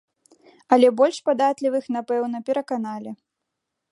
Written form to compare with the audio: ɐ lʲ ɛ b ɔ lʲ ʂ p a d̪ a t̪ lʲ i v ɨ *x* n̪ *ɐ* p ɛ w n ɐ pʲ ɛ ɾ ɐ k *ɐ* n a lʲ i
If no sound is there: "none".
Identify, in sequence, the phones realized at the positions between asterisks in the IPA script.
x, a, a

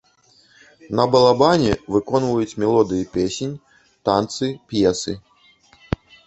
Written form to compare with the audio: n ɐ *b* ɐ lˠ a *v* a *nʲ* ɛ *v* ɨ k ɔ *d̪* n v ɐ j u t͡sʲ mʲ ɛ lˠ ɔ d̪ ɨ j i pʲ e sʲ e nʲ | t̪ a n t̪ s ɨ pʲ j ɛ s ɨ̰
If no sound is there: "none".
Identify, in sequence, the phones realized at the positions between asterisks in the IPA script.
b, b, nʲ, v, none

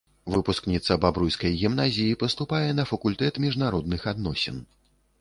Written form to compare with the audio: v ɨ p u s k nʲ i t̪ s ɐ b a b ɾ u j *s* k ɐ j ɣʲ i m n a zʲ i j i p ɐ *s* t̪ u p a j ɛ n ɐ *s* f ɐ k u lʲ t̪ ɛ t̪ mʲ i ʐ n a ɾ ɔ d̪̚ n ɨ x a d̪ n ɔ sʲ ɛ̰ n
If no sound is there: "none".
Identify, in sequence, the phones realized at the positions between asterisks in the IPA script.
s, s, none

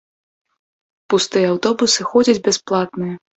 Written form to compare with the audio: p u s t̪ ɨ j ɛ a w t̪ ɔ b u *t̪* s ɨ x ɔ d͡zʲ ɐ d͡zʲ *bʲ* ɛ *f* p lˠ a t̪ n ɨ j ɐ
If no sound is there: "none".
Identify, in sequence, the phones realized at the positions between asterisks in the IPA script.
none, bʲ, s

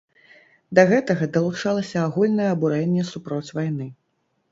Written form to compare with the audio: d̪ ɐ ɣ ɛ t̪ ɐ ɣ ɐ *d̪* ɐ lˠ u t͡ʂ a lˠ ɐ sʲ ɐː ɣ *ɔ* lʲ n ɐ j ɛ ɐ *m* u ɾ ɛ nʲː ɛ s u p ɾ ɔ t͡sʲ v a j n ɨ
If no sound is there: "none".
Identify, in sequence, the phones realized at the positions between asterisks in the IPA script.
d̪, u, b

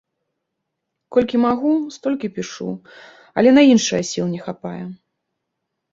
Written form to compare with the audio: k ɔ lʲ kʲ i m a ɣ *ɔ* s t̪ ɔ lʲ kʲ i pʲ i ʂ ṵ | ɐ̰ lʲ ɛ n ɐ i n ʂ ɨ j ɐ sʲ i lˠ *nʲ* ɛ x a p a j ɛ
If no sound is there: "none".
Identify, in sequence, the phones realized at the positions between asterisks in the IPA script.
u, nʲ

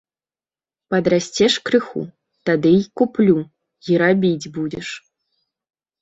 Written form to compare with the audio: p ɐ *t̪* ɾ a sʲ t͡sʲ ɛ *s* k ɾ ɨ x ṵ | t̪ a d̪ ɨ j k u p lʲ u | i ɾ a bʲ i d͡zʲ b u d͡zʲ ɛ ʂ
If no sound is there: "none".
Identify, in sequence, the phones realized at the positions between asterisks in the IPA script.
d̪, ʂ

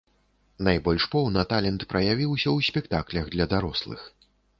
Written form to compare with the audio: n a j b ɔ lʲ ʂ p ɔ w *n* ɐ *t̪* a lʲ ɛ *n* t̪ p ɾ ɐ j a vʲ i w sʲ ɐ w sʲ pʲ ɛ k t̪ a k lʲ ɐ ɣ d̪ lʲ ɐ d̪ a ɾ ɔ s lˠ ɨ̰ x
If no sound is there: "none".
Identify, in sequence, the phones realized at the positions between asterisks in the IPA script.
n, t̪, n

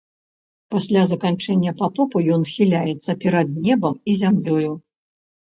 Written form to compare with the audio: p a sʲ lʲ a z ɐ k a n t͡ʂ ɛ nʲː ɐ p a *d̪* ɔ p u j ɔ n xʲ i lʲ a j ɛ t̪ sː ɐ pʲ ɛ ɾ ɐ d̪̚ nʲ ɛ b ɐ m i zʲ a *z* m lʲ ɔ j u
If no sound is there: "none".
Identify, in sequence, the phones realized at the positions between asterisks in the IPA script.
t̪, none

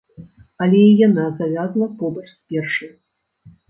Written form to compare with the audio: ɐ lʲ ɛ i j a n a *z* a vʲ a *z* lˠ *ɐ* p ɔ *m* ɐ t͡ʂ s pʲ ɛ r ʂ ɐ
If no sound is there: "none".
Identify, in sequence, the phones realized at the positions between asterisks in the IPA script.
z, z, ɐ, b

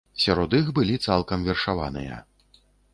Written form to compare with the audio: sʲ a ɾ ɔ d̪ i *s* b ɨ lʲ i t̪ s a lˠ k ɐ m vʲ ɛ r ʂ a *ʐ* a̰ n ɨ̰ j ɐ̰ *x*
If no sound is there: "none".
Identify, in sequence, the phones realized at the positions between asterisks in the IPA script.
x, v, none

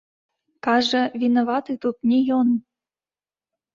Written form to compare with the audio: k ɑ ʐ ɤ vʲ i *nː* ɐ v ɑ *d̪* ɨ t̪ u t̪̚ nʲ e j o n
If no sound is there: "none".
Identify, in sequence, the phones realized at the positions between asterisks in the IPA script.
n, t̪

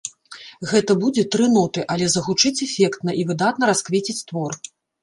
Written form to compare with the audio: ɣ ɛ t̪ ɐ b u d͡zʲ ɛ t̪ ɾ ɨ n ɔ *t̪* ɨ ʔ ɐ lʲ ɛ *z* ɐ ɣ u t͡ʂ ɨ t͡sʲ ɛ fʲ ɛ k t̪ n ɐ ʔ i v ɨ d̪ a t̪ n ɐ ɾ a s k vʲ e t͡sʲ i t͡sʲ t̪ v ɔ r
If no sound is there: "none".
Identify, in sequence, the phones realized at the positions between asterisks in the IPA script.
t̪, z

